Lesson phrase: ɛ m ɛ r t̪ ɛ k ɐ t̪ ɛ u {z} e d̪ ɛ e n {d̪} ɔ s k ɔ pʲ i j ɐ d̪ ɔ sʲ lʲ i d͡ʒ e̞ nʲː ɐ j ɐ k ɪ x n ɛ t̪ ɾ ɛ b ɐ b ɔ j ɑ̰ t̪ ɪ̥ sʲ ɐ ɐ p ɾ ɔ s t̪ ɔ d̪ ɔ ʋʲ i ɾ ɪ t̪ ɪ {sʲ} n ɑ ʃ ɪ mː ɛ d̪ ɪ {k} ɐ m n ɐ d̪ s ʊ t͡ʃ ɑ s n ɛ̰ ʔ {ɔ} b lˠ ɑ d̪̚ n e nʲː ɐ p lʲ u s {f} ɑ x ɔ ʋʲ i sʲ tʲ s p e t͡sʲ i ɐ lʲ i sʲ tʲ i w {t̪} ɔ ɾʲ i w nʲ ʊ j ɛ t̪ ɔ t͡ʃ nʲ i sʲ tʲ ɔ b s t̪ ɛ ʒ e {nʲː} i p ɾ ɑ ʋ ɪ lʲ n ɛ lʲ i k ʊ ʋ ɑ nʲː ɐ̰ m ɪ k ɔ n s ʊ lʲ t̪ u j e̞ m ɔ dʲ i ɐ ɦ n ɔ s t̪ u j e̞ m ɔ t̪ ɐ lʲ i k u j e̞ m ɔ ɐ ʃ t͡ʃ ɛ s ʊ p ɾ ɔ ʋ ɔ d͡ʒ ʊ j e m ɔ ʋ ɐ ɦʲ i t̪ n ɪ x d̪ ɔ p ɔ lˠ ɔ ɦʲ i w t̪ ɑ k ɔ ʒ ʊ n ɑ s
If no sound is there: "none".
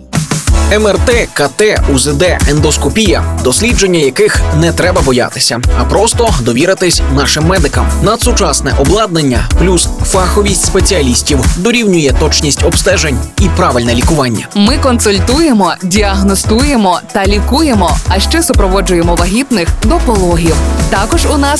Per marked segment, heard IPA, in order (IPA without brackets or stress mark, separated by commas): z, d̪, sʲ, k, ɔ, f, d̪, nʲ